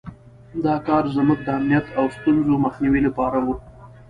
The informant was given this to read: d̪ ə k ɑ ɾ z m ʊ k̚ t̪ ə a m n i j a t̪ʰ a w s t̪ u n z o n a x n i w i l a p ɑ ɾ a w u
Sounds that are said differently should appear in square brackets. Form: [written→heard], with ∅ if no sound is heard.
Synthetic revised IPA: d̪ [ə→ɑ] k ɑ ɾ z m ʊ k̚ [t̪→d̪] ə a m n i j a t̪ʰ a w s t̪ u n z o [n→m] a x n i w i l a p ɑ ɾ a w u